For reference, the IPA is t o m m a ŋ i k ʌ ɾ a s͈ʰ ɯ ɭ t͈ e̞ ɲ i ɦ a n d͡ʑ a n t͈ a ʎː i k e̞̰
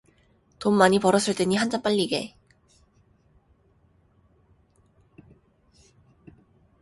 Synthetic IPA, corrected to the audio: t o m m a ɲ i p ʌ ɾ ʌ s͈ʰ ɯ ɭ t͈ e̞ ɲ i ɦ a n d͡ʑ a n p͈ a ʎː i ɡ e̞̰